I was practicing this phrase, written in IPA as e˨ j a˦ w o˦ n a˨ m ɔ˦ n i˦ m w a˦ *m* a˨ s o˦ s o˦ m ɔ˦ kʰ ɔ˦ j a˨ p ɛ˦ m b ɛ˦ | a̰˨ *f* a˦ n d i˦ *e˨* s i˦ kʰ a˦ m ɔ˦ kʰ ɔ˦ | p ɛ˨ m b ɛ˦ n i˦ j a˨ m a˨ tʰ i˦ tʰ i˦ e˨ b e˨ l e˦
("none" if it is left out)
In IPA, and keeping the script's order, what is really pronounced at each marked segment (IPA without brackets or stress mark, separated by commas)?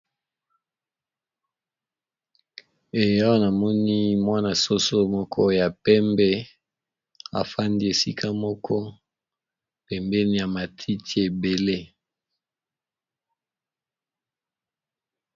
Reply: n, f, e˨